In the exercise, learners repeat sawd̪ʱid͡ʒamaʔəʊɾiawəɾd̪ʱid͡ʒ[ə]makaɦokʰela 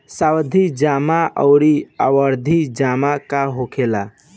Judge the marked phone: incorrect: a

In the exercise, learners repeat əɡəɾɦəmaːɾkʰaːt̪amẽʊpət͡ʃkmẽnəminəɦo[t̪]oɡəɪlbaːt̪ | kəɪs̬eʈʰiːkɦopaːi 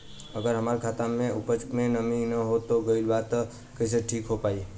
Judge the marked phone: correct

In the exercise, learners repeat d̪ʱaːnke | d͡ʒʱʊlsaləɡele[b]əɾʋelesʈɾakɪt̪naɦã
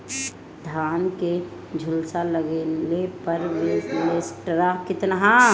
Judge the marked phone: incorrect: p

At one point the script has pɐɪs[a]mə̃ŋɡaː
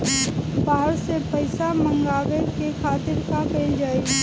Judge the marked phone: correct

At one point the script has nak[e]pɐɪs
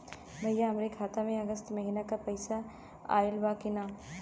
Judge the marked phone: incorrect: a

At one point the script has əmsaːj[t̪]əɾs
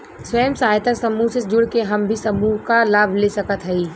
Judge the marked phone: correct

